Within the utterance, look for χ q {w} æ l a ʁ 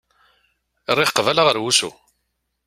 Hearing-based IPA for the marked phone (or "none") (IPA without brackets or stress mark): v